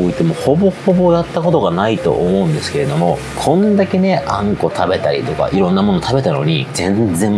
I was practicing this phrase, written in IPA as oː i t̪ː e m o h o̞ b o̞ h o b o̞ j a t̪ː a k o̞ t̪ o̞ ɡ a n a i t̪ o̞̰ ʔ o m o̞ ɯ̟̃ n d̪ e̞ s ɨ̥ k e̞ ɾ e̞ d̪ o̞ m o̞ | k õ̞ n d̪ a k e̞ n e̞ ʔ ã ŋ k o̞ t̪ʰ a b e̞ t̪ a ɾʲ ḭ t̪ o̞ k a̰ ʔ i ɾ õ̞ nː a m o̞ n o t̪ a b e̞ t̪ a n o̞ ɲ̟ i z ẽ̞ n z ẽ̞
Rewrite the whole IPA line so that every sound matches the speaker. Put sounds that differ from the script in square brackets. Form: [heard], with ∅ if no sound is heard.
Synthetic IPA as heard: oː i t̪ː e m o h o̞ b o̞ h o b o̞ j a t̪ː a k o̞ t̪ o̞ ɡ a n a i t̪ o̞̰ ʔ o m o̞ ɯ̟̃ n d̪ e̞ s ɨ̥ k e̞ ɾ e̞ d̪ o̞ m o̞ | [kʰ] õ̞ n d̪ a k e̞ n e̞ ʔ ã ŋ k o̞ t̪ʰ a b e̞ t̪ a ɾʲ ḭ t̪ o̞ k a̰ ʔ i ɾ õ̞ nː a m o̞ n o t̪ a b e̞ t̪ a n o̞ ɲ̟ i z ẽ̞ n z ẽ̞